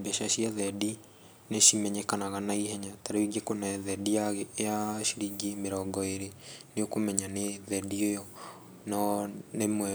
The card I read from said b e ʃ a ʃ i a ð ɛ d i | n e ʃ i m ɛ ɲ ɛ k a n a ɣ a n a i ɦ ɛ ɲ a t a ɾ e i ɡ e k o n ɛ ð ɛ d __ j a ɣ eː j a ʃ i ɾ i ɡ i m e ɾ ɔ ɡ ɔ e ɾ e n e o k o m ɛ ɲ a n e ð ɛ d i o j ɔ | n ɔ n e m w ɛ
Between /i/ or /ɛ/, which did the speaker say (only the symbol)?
i